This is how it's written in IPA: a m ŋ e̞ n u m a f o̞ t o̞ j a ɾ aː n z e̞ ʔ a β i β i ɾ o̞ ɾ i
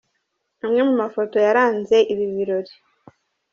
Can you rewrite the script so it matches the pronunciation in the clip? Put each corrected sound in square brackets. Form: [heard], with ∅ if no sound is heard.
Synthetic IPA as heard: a m ŋ e̞ [m] u m a f o̞ t o̞ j a ɾ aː n z e̞ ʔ [i] β i β i ɾ o̞ ɾ i